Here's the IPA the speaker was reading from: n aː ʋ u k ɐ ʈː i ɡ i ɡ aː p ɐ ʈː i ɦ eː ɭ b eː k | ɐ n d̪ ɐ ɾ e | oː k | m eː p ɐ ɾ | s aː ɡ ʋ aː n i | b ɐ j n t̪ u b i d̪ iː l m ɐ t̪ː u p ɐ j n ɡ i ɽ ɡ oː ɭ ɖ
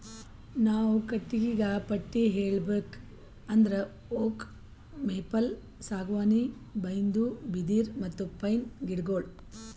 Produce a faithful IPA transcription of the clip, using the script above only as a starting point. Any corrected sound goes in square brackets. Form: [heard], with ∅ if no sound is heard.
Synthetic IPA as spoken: n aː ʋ u k ɐ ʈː i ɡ i ɡ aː p ɐ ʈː i ɦ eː ɭ b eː k | ɐ n d̪ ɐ ɾ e | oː k | m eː p ɐ [l] | s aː ɡ ʋ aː n i | b ɐ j n [d̪] u b i d̪ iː [ɾ] m ɐ t̪ː u p ɐ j n ɡ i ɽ ɡ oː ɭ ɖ